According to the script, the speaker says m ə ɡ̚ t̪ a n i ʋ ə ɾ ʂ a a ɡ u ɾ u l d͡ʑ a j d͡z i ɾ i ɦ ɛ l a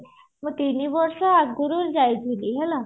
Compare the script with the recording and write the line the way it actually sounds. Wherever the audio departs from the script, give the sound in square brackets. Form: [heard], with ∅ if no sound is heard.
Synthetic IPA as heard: m ə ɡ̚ t̪ [i] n i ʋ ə ɾ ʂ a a ɡ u ɾ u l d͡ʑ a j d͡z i [l] i ɦ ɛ l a